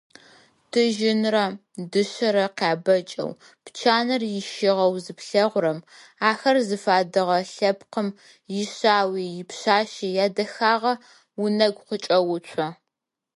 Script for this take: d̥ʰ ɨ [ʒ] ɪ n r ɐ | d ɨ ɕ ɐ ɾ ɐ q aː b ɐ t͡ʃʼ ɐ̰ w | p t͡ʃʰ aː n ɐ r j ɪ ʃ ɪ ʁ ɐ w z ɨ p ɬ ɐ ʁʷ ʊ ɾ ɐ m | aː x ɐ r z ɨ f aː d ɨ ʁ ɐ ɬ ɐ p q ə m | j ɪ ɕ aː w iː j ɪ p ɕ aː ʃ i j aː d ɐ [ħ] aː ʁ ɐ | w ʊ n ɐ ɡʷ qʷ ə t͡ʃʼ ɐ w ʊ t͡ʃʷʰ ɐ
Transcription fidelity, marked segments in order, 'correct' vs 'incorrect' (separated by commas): correct, incorrect